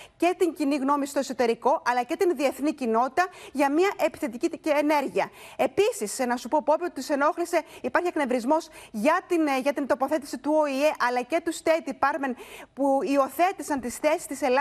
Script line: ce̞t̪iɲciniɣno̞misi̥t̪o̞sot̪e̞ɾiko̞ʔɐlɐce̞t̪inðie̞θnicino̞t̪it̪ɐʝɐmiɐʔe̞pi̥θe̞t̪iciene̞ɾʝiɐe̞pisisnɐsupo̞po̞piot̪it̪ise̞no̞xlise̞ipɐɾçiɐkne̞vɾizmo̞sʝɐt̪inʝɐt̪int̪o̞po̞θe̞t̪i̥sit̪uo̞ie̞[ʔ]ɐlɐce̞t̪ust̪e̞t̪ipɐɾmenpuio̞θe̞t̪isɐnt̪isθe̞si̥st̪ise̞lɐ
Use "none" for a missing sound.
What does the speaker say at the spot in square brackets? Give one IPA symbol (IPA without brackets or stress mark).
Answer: ʔ